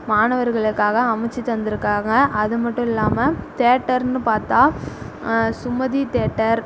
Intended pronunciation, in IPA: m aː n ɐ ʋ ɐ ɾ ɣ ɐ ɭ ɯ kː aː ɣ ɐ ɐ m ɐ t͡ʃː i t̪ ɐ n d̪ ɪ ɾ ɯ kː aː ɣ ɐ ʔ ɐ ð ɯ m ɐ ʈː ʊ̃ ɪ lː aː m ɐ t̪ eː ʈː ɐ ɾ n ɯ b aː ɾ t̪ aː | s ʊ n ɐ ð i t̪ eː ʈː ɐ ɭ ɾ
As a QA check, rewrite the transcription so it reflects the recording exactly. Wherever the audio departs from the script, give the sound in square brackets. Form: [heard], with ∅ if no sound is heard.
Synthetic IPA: m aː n ɐ ʋ ɐ ɾ ɣ ɐ ɭ ɯ kː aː ɣ ɐ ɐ m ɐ t͡ʃː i t̪ ɐ n d̪ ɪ ɾ ɯ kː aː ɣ ɐ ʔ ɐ ð ɯ m ɐ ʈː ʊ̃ ɪ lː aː m ɐ t̪ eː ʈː ɐ ɾ n ɯ [p] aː ɾ t̪ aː | s ʊ [m] ɐ ð i t̪ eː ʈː ɐ [∅] ɾ